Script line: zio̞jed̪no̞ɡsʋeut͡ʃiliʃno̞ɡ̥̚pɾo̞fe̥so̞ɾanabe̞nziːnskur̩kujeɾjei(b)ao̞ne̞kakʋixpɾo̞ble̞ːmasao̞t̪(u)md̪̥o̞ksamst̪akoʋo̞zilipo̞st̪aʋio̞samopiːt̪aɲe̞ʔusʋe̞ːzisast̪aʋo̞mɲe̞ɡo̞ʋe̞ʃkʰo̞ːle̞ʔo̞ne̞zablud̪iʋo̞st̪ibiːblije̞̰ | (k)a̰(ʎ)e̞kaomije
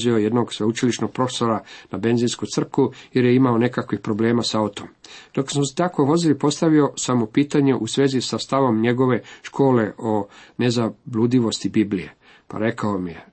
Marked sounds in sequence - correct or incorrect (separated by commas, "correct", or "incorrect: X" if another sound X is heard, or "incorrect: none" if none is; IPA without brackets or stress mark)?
incorrect: m, incorrect: o, incorrect: p, incorrect: ɾ